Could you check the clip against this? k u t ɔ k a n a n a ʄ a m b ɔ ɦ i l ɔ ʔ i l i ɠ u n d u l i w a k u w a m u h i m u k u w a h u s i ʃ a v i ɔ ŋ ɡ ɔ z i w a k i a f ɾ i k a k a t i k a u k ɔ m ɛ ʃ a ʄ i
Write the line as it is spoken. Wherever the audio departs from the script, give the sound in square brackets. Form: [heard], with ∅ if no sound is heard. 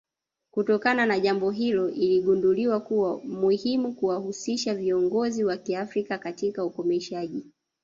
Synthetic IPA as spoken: k u t ɔ k a n a n a ʄ a m b ɔ ɦ i l ɔ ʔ i l i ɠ u n d u l i w a k u w a m u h i m u k u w a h u s i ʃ a v i ɔ ŋ ɡ ɔ z i w a k i a f ɾ i k a k a t i k a u k ɔ m ɛ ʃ a ʄ i

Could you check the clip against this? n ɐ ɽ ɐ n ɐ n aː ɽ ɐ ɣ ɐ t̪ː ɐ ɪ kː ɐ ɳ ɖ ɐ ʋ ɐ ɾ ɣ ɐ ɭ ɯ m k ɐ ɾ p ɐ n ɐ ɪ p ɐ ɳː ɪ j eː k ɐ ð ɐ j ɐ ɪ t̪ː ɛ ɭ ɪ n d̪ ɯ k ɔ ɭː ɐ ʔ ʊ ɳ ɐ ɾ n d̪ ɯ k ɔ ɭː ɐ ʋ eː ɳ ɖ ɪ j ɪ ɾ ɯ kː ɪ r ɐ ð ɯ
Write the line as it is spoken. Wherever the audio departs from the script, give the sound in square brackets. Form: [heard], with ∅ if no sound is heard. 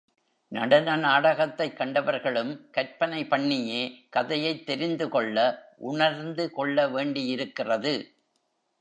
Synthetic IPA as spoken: n ɐ ɽ ɐ n ɐ n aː ɽ ɐ ɣ ɐ t̪ː ɐ ɪ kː ɐ ɳ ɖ ɐ ʋ ɐ ɾ ɣ ɐ ɭ ɯ m k ɐ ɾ p ɐ n ɐ ɪ p ɐ ɳː ɪ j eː k ɐ ð ɐ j ɐ ɪ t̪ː ɛ [ɾ] ɪ n d̪ ɯ k ɔ ɭː ɐ ʔ ʊ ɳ ɐ ɾ n d̪ ɯ k ɔ ɭː ɐ ʋ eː ɳ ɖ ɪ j ɪ ɾ ɯ kː ɪ r ɐ ð ɯ

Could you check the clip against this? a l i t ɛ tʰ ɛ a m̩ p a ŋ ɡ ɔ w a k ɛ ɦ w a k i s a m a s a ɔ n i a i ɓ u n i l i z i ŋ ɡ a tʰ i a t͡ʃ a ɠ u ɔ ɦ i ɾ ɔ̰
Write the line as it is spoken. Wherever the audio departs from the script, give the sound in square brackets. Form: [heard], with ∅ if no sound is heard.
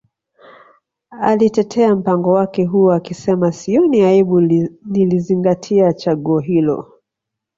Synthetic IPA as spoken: a l i t ɛ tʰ ɛ a m̩ p a ŋ ɡ ɔ w a k ɛ ɦ [u] a k i s [ɛ] m a s [i] ɔ n i a i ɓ u n i l i z i ŋ ɡ a tʰ i a t͡ʃ a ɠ u ɔ ɦ i [l] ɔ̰

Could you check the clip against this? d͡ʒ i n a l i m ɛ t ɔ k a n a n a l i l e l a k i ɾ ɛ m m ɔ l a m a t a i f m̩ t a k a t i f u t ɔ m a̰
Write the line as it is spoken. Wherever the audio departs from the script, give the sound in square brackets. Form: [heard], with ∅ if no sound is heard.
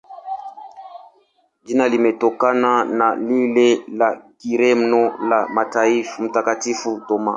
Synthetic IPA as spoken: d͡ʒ i n a l i m ɛ t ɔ k a n a n a l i l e l a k i ɾ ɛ m [n] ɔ l a m a t a i f m̩ t a k a t i f u t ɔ m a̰

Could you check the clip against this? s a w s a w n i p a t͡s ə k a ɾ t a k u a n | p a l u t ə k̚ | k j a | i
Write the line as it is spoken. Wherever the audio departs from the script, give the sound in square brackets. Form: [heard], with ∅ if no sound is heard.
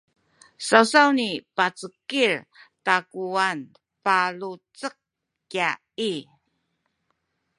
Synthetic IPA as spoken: s a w s a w n i p a t͡s ə k [i] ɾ t a k u a n | p a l u [t͡s] ə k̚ | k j a | i

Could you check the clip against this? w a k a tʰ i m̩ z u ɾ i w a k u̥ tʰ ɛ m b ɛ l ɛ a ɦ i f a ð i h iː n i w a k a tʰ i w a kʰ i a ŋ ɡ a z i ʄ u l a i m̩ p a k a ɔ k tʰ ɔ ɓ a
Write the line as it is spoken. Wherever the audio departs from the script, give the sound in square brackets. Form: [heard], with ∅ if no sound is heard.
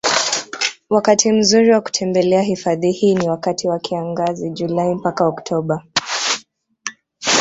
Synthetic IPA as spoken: w a k a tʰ i m̩ z u ɾ i w a k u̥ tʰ ɛ m b ɛ l ɛ a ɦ i f a ð i h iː n i w a k a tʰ i w a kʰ i a ŋ ɡ a z i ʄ u l a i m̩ p a k a ɔ k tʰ ɔ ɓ a

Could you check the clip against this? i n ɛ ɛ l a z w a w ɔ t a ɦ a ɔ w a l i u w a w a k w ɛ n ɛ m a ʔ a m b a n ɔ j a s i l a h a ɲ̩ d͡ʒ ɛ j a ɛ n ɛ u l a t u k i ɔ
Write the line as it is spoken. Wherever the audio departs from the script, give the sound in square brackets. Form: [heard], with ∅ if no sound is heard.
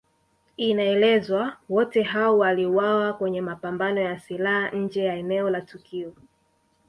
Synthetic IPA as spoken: i n [a] ɛ l [ɛ] z w a w ɔ t [ɛ] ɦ a ɔ w a l i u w a w a k w ɛ [ɲ] ɛ m a [p] a m b a n ɔ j a s i l a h a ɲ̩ d͡ʒ ɛ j a ɛ n ɛ [ɔ] l a t u k i ɔ

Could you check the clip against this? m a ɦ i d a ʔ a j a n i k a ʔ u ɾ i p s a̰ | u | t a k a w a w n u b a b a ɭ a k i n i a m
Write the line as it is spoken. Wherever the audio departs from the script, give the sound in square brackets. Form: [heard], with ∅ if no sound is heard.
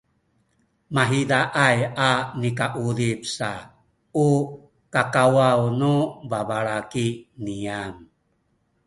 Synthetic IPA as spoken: m a ɦ i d a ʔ a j a n i k a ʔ u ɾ i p s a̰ | u | [k] a k a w a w n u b a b a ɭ a k i n i a m

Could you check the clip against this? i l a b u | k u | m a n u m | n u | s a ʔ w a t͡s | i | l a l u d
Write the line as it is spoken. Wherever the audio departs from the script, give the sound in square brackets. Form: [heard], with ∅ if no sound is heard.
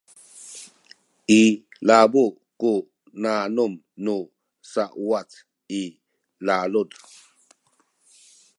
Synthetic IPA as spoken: i l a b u | k u | [n] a n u m | n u | s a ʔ w a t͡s | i | l a l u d

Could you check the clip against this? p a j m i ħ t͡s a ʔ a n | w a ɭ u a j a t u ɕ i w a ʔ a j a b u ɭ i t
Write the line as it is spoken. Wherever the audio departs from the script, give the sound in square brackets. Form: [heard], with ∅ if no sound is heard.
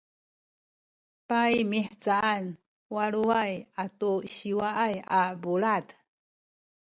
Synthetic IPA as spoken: p a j m i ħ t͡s a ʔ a n | w a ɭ u a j a t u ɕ i w a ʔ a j a b u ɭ [a] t

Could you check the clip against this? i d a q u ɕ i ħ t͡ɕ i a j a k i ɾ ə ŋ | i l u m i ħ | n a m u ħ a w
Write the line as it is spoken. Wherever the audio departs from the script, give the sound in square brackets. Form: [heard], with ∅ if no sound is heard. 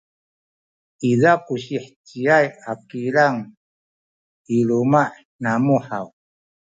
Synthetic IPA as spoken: i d a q u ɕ i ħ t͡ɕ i a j a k i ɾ [a] ŋ | i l u m [a] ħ | n a m u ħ a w

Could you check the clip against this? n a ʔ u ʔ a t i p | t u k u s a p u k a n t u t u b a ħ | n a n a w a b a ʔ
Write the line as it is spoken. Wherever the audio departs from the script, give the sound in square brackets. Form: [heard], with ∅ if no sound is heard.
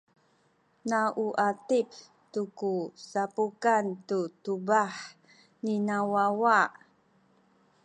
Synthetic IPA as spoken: n a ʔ u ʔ a t i p | t u k u s a p u k a n t u t u b a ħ | n [i] n a w a [w] a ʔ

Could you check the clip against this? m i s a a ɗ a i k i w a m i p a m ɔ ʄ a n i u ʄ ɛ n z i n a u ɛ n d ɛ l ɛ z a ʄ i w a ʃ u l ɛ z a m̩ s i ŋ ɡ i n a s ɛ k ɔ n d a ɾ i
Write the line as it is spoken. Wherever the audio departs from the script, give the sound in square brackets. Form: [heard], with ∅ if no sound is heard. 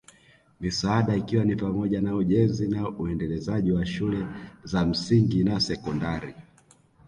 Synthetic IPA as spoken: m i s a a ɗ a i k i w a [n] i p a m ɔ ʄ a n [a] u ʄ ɛ n z i n a u ɛ n d ɛ l ɛ z a ʄ i w a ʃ u l ɛ z a m̩ s i ŋ ɡ i n a s ɛ k ɔ n d a ɾ i

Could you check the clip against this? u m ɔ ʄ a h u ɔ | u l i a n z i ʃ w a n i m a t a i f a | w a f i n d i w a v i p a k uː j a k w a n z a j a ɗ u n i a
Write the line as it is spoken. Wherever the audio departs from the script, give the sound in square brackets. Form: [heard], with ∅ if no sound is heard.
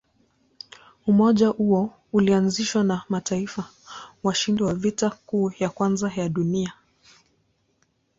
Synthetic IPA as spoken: u m ɔ ʄ a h u ɔ | u l i a n z i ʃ w a n [a] m a t a i f a | w a [ʃ] i n d i w a v i [t] a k uː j a k w a n z a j a ɗ u n i a

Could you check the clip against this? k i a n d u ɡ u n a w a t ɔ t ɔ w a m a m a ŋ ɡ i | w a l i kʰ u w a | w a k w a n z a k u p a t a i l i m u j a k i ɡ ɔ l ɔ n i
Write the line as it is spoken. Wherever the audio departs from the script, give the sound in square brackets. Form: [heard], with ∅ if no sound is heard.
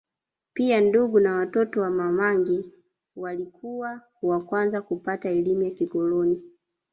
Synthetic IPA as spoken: [p] i a n d u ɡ u n a w a t ɔ t ɔ w a m a m a ŋ ɡ i | w a l i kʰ u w a | w a k w a n z a k u p a t a [ɛ] l i m u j a k i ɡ ɔ l ɔ n i

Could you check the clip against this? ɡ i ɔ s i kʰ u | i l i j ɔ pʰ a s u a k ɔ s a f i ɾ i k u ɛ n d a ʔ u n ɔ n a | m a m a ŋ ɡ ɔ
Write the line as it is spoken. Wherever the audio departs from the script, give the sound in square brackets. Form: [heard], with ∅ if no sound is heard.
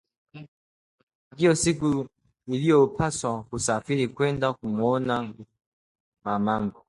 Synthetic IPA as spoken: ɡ i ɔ s i [k] u | i l i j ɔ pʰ a s [w] a k [u] s a f i ɾ i k [w] ɛ n d a [k] u [m] ɔ n a | m a m a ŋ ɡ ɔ

